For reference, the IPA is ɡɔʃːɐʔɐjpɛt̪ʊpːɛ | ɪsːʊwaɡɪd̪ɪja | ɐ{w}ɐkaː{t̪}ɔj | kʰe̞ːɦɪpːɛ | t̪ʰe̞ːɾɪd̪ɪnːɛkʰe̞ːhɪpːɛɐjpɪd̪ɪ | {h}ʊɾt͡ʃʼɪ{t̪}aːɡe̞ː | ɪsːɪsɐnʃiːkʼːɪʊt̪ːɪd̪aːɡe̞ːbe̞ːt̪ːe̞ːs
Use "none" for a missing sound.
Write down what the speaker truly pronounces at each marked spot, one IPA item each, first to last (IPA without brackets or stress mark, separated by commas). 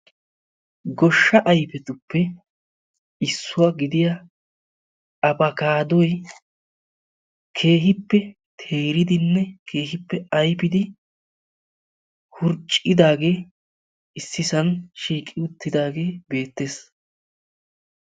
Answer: b, d̪, h, d̪